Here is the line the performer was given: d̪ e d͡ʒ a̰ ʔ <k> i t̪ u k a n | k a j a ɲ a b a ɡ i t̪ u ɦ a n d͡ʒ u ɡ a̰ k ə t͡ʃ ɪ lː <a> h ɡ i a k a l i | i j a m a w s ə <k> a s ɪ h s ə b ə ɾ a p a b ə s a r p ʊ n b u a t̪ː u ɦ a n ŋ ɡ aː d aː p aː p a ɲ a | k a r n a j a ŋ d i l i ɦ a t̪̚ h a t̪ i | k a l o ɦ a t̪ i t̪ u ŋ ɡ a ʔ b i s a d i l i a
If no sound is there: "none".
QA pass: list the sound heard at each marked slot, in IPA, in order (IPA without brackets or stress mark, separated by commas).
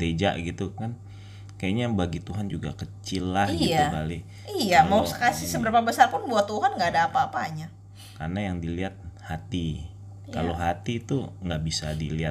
ɡ, a, k